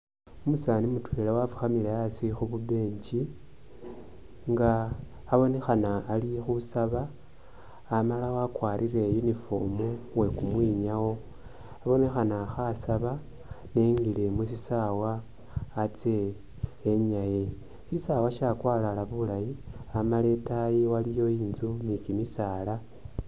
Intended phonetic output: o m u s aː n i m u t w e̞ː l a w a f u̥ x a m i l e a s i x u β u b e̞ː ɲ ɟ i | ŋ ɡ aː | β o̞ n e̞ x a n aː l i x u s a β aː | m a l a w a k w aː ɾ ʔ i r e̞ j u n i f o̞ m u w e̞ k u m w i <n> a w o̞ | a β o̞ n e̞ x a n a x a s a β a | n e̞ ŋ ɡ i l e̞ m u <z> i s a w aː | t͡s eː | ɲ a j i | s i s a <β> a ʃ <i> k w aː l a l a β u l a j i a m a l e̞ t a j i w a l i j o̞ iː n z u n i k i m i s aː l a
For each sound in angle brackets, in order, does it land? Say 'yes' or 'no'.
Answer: no, no, no, no

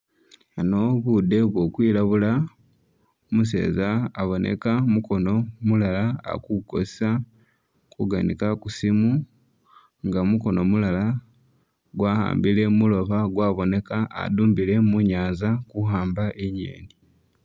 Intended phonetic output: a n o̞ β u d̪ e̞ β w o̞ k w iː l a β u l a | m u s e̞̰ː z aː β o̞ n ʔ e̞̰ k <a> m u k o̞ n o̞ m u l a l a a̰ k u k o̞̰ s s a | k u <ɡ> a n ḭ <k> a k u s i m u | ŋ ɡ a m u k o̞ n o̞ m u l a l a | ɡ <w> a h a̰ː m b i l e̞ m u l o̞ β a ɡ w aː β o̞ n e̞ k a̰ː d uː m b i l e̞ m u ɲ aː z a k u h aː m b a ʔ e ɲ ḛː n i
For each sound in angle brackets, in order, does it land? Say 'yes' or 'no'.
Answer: yes, yes, yes, yes

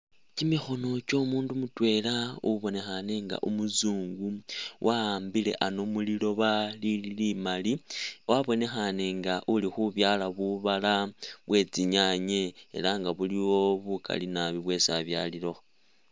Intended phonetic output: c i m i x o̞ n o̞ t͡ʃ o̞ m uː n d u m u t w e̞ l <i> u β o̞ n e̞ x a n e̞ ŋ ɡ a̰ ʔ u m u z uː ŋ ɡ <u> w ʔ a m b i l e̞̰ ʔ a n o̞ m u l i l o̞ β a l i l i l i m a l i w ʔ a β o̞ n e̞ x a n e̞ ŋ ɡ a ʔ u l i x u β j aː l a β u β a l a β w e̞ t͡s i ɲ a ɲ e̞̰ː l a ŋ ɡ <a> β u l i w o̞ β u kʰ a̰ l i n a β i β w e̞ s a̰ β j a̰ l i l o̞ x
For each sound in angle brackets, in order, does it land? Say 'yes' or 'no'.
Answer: no, yes, yes

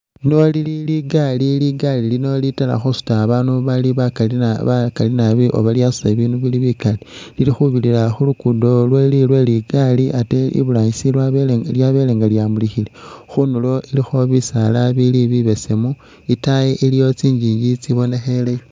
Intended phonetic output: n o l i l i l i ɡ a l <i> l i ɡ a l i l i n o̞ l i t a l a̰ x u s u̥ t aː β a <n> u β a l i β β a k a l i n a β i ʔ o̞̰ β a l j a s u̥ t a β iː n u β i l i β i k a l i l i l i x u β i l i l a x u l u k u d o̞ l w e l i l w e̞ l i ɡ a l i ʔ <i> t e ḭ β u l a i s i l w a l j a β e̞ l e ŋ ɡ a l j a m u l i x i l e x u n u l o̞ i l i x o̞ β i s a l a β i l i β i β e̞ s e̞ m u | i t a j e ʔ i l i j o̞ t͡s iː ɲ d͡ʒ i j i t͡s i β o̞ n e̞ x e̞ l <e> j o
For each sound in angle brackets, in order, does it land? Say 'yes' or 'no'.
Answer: yes, yes, no, yes

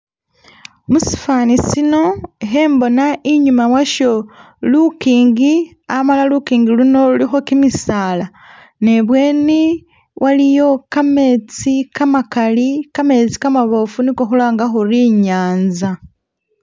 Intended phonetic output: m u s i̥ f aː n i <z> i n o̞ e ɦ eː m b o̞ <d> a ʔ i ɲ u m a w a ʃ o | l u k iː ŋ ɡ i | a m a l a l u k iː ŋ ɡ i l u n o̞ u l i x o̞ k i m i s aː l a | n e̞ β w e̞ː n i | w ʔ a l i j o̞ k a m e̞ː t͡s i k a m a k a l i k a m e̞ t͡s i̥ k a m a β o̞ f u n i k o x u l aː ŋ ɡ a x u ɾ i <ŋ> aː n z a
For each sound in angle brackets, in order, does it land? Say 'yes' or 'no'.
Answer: no, no, no

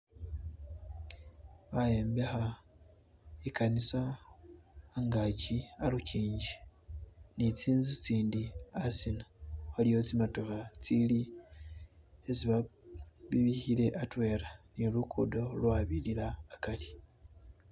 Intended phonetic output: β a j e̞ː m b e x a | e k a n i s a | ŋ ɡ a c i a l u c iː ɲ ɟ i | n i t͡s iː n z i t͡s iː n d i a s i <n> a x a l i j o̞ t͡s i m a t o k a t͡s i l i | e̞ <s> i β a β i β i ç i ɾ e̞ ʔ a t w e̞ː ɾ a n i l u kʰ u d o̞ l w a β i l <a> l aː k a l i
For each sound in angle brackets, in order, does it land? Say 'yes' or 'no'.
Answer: yes, no, no

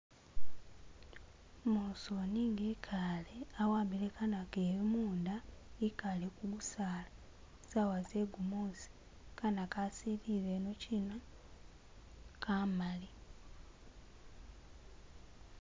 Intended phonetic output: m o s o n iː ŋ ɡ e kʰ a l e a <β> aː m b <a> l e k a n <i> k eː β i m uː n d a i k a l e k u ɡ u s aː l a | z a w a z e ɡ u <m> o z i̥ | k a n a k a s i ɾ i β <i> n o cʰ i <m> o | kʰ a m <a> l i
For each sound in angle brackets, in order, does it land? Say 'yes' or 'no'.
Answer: no, no, no, yes, no, no, yes

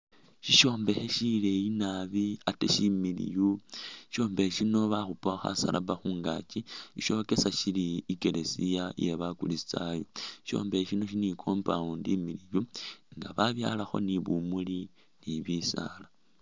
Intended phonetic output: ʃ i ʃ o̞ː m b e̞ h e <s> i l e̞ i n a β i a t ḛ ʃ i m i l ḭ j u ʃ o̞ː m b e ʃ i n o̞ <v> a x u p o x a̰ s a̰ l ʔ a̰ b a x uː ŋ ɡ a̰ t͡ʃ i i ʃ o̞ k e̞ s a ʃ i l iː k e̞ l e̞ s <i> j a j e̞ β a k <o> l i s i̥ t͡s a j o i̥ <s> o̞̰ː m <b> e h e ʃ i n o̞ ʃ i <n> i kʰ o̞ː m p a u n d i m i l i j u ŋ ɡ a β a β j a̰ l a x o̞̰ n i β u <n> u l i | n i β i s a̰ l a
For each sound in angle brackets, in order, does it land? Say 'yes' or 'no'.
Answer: no, no, yes, no, no, yes, yes, no

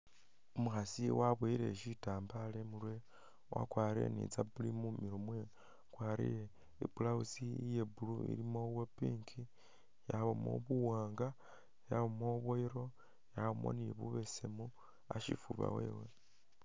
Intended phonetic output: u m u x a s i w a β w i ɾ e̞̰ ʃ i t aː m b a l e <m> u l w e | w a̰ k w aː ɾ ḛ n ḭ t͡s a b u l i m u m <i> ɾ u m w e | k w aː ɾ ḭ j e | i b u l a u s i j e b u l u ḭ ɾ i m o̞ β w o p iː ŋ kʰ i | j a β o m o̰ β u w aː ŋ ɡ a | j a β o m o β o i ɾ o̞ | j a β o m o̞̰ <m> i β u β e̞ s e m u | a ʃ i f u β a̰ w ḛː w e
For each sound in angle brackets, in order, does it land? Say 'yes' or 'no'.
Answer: yes, yes, no

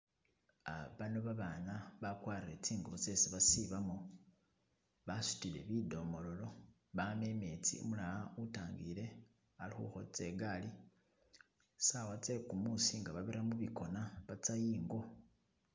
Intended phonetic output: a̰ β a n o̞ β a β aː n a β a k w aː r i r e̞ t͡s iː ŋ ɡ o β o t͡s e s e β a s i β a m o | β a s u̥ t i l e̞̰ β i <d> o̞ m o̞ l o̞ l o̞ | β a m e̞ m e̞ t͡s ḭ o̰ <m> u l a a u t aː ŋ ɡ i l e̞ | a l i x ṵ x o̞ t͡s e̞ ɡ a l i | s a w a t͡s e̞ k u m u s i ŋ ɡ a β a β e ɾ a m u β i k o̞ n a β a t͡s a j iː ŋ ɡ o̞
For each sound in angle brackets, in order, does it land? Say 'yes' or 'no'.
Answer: yes, yes

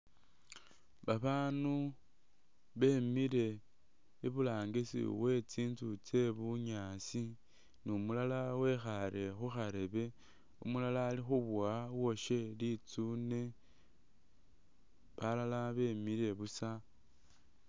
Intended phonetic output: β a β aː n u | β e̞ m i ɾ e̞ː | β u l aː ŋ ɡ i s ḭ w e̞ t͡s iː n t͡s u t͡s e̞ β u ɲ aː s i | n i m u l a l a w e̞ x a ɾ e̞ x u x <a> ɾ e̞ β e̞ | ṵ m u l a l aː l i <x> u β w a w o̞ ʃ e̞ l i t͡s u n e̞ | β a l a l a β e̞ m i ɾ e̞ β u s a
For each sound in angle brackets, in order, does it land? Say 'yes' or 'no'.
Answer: yes, yes

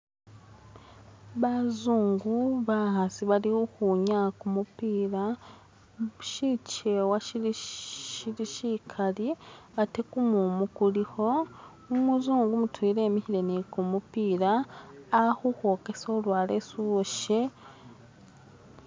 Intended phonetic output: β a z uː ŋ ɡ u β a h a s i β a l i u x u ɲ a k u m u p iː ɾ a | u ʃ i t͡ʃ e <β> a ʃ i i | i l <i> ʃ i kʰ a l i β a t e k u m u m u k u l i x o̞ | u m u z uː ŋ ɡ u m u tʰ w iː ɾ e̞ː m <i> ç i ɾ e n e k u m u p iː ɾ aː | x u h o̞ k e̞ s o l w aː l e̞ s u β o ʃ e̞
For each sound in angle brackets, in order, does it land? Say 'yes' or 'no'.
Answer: no, yes, yes

